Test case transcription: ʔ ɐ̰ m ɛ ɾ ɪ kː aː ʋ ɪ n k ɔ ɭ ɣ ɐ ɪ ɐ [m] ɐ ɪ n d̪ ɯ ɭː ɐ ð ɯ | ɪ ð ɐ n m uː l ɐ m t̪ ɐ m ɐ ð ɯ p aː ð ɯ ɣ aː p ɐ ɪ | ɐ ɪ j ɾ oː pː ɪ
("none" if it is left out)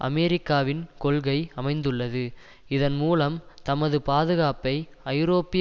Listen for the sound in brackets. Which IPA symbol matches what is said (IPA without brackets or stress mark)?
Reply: m